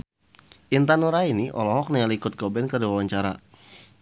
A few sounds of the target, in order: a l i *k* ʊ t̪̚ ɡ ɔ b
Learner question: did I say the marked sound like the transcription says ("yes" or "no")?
yes